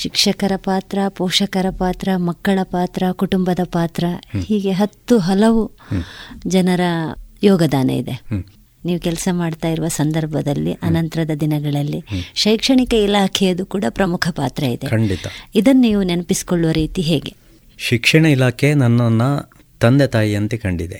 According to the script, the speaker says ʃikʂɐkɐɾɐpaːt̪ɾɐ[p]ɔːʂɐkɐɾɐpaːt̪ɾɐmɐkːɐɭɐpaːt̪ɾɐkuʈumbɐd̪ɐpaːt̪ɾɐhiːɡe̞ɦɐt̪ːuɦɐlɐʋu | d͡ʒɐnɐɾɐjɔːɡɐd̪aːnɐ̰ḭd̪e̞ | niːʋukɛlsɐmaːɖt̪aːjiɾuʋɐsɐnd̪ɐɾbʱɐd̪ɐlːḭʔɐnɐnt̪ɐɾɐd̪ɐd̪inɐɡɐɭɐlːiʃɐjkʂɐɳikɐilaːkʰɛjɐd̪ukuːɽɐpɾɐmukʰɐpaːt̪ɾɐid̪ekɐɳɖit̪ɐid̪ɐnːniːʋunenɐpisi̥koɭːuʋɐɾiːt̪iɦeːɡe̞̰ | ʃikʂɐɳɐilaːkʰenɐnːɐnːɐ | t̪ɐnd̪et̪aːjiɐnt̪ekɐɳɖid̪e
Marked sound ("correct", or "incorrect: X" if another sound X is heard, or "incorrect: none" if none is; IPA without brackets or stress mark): correct